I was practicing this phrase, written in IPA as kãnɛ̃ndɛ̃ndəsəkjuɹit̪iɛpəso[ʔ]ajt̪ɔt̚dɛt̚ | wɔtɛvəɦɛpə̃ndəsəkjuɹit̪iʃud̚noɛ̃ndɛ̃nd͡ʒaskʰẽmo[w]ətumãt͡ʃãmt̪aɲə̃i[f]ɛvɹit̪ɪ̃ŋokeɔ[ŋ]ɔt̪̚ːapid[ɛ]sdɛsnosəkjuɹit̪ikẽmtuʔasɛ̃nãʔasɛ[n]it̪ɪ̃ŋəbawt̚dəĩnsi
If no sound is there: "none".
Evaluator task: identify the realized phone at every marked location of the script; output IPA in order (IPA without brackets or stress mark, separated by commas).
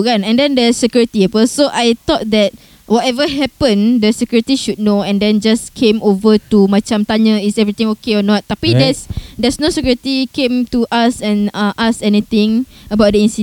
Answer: ʔ, v, s, n, ɛ, n